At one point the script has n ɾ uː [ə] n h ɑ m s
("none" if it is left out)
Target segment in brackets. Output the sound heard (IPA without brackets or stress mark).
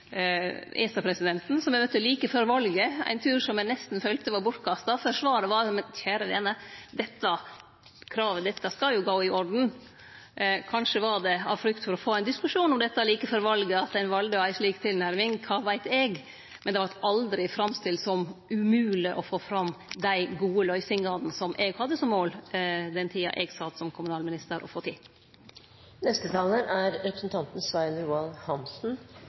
ɑ